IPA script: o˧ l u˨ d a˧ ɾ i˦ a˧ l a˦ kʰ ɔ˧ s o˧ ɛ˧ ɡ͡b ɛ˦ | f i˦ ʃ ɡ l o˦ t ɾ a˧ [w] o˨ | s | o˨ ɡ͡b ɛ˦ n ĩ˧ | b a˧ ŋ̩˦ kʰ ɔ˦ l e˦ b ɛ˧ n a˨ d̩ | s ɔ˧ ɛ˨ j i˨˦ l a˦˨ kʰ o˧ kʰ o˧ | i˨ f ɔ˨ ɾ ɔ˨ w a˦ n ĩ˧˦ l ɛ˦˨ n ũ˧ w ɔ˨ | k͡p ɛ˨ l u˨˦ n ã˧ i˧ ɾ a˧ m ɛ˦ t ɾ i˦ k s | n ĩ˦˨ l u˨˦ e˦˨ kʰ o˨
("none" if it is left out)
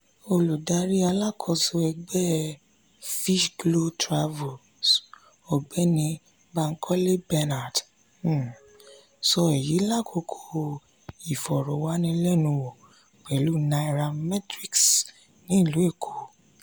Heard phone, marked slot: v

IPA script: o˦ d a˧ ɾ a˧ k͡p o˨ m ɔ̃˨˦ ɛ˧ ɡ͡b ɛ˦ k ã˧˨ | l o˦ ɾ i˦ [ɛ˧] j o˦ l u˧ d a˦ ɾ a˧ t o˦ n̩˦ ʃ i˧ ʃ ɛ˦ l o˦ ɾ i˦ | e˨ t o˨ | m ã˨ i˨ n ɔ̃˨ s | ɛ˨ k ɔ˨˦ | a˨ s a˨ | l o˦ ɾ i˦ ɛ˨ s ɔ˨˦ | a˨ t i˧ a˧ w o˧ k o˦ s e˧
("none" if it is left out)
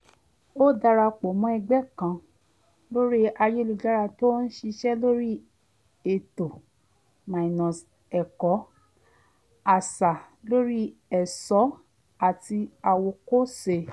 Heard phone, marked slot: a˧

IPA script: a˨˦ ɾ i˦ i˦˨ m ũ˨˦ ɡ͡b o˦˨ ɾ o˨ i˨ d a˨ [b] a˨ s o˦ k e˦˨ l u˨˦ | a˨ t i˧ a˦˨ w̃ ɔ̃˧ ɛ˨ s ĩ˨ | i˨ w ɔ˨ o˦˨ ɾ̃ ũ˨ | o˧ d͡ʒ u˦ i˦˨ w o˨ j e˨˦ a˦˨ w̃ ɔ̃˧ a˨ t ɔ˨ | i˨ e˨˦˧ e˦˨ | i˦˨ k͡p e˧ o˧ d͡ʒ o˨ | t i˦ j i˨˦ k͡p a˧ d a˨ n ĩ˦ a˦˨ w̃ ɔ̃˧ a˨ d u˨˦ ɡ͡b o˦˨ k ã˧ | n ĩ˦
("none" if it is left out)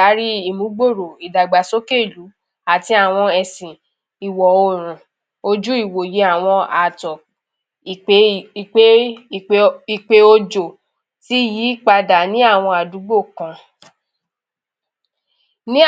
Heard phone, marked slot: ɡ͡b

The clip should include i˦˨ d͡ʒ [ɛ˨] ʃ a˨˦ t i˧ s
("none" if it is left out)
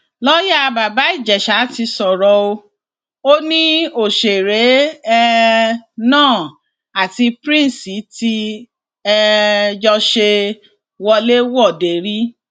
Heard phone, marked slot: ɛ˨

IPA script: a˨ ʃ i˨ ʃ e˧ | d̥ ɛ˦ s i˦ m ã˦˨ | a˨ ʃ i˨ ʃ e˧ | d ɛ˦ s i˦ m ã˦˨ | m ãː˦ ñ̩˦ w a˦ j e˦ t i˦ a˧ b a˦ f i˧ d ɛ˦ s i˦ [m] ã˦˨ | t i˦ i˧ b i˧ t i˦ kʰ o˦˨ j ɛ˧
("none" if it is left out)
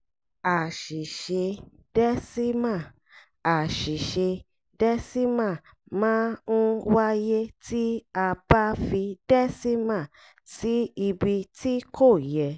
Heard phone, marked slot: m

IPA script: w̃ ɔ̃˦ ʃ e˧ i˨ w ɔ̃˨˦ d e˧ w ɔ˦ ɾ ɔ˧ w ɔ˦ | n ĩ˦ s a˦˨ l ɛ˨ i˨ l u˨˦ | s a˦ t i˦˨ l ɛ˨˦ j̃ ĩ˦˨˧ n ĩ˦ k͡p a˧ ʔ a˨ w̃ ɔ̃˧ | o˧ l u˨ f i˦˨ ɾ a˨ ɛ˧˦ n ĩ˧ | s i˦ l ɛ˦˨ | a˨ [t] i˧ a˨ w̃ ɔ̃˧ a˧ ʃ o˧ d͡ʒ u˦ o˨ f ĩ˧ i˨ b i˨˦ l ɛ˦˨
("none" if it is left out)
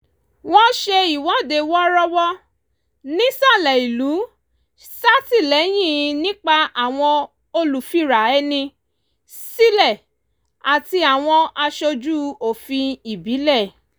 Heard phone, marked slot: t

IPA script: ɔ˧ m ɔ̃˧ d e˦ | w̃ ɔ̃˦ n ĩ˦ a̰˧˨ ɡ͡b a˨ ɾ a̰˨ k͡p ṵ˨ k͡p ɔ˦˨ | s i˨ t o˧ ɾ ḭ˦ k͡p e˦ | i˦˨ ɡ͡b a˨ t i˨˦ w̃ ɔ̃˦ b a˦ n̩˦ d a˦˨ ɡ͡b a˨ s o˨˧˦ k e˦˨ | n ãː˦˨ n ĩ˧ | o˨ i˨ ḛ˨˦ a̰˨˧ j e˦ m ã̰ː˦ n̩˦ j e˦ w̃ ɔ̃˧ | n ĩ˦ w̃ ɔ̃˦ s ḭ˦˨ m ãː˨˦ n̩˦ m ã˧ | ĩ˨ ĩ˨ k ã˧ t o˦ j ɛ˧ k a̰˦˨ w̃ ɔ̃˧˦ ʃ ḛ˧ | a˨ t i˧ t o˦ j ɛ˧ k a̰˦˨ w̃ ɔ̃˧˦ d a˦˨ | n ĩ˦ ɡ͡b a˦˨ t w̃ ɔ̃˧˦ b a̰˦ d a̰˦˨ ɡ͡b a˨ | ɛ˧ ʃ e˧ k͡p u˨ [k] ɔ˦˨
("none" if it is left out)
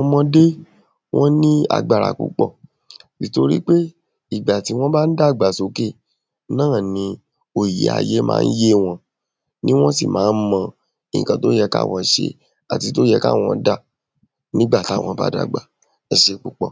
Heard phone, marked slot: k͡p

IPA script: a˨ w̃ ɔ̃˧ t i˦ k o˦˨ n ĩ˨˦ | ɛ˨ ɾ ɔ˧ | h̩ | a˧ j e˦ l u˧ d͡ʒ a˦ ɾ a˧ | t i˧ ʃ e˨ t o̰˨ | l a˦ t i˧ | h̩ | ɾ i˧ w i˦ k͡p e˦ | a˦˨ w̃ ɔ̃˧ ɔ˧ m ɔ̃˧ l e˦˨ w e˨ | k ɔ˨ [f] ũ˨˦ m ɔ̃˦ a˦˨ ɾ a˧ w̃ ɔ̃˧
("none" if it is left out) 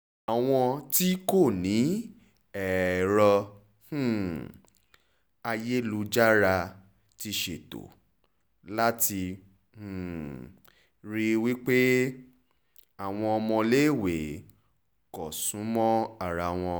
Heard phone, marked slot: s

